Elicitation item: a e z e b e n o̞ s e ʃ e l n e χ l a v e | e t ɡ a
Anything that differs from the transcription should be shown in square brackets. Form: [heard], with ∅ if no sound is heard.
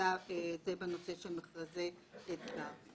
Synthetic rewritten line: a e z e b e n o̞ s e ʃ e l [m] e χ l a [z] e | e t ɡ a